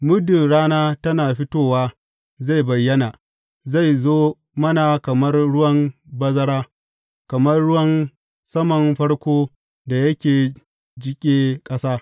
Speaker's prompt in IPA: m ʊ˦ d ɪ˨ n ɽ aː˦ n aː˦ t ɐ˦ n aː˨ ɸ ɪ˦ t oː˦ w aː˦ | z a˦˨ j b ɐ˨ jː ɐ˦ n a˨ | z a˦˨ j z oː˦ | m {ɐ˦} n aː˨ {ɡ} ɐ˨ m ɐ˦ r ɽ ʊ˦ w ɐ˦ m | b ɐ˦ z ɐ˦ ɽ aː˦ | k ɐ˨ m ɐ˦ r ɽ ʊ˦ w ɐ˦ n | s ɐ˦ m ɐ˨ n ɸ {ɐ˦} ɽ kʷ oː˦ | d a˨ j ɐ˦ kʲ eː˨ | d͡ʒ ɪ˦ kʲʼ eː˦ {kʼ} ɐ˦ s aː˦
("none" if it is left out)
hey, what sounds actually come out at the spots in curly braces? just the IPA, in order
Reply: ɐ˦, k, ɐ˦, kʼ

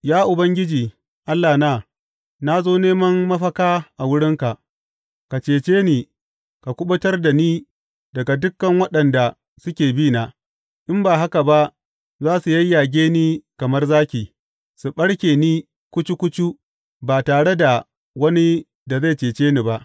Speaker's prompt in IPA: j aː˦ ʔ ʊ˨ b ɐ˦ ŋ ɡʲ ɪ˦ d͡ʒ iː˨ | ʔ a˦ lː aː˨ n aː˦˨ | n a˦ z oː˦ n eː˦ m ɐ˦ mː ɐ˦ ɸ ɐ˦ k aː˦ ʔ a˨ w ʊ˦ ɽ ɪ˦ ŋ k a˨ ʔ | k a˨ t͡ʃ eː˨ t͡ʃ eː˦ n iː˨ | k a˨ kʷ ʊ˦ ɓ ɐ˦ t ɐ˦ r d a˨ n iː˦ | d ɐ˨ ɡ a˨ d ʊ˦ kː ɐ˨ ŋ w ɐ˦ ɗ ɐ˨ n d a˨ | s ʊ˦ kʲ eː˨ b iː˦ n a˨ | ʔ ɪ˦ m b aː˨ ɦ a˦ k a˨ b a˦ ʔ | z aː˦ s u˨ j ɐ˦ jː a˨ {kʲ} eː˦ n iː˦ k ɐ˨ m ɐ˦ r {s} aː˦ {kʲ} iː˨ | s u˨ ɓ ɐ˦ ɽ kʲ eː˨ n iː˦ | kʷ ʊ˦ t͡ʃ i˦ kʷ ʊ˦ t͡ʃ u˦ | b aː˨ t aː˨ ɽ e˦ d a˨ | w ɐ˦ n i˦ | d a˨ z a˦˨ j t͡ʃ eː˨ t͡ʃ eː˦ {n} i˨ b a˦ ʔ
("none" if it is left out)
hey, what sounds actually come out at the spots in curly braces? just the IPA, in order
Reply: ɡʲ, z, kʲ, n

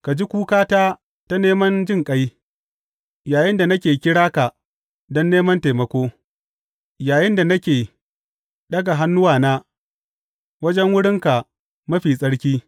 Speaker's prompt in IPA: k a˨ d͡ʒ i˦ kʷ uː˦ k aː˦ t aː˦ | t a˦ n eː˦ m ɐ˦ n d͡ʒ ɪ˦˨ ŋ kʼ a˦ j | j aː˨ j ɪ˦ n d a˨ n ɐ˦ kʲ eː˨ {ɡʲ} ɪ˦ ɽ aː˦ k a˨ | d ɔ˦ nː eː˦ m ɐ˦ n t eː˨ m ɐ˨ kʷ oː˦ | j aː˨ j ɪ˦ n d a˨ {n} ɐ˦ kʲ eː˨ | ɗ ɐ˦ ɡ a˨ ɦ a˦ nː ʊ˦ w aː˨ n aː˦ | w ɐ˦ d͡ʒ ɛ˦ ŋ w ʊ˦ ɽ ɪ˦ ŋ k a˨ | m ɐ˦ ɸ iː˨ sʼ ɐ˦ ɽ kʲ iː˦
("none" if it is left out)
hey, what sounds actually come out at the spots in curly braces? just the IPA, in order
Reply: kʲ, n

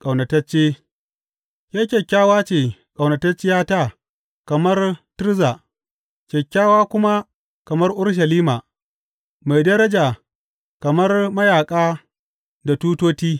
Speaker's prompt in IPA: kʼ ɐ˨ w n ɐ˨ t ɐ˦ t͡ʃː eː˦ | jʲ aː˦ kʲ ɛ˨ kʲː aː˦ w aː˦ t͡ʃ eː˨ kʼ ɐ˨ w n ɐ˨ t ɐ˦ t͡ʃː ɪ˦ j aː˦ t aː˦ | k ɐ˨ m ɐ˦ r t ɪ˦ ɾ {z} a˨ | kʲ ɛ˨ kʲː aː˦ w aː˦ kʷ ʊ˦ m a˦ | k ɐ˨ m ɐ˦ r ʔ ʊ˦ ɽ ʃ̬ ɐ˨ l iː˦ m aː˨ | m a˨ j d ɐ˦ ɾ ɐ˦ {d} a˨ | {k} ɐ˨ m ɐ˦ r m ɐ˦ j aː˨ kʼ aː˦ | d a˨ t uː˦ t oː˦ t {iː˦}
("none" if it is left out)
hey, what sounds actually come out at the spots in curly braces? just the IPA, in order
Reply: z, d͡ʒ, k, iː˦

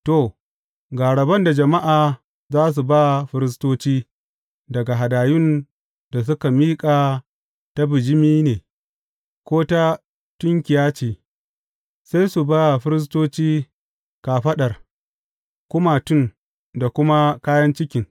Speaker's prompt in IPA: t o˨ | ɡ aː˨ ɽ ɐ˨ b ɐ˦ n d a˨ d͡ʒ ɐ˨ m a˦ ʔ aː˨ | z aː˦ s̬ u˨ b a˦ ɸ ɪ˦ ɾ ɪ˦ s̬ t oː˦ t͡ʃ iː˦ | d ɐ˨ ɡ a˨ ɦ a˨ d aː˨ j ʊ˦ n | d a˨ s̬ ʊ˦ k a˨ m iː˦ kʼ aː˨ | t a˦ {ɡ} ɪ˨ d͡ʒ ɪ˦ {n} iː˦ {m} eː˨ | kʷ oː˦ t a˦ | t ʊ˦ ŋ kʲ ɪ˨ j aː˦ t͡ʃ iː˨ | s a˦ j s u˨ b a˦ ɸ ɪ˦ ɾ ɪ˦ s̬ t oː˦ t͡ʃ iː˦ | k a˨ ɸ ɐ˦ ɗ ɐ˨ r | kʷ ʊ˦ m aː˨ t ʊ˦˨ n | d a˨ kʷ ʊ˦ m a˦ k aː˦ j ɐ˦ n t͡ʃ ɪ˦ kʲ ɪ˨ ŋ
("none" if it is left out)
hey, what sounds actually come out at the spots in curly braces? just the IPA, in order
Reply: b, m, n

